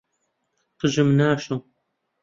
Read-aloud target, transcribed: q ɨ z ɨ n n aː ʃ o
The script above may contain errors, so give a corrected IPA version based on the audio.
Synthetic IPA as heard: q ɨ ʒ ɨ m n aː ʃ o

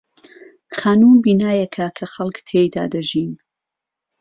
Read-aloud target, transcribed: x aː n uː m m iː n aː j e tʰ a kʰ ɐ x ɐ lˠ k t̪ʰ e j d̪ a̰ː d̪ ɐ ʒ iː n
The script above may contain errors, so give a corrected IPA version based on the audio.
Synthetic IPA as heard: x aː n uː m b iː n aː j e kʰ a kʰ ɐ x ɐ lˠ k t̪ʰ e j d̪ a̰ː d̪ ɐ ʒ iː n

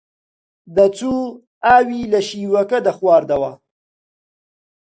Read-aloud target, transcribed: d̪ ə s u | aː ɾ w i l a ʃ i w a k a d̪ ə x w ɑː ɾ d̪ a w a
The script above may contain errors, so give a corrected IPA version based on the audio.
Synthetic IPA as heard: d̪ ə t͡s u | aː w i l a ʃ i w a k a d̪ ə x w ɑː ɾ d̪ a w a

